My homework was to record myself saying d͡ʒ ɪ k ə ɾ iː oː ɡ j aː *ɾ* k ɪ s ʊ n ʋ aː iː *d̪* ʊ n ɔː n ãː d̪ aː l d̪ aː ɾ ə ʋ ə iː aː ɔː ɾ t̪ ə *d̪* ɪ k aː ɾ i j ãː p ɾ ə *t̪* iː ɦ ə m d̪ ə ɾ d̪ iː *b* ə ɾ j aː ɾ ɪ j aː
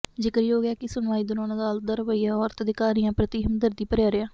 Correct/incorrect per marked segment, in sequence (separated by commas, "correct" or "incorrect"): incorrect, correct, correct, correct, incorrect